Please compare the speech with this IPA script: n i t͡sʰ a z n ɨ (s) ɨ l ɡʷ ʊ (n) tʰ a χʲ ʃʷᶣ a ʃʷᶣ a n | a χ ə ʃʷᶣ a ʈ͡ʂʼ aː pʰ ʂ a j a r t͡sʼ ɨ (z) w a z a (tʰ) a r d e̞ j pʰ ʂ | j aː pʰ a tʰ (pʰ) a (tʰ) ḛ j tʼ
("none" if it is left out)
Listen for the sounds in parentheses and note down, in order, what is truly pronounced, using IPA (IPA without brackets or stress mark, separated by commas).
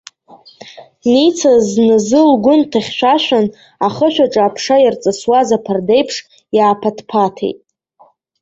z, n, s, pʰ, pʰ, tʰ